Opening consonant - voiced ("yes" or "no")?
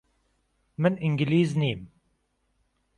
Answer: yes